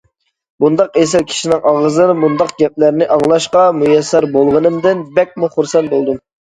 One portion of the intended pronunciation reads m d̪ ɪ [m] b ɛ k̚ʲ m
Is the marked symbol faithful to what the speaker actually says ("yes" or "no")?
no